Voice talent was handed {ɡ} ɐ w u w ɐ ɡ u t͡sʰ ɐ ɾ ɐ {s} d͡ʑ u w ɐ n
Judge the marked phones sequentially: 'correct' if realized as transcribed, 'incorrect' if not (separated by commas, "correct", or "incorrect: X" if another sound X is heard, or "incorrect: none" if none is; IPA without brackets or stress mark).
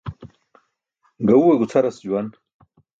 correct, correct